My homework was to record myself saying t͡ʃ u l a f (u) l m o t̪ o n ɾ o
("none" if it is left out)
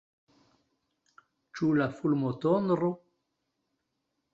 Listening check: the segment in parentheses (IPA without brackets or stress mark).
u